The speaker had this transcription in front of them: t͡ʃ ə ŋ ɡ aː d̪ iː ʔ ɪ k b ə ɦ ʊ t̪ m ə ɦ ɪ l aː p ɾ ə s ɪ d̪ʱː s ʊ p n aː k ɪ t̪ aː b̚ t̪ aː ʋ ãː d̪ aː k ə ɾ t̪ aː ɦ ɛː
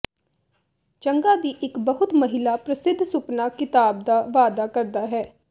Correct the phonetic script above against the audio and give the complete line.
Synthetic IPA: t͡ʃ ə ŋ ɡ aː d̪ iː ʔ ɪ k b ə ɦ ʊ t̪ m ə ɦ ɪ l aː p ɾ ə s ɪ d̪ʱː s ʊ p n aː k ɪ t̪ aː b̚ d̪ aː ʋ aː d̪ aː k ə ɾ d̪ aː ɦ ɛː